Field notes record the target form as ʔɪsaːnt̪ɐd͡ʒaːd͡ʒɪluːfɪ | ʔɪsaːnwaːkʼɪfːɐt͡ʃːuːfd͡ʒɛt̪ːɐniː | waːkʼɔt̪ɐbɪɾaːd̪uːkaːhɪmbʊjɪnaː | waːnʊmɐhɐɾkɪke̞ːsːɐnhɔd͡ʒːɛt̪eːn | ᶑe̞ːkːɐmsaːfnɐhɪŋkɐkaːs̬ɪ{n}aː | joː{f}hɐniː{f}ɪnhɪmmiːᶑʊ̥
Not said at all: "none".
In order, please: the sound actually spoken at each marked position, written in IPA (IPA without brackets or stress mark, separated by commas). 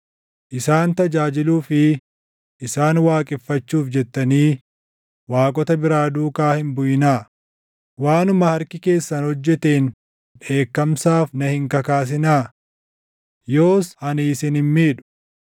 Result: n, s, s